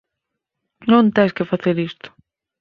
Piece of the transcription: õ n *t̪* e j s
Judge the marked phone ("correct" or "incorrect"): correct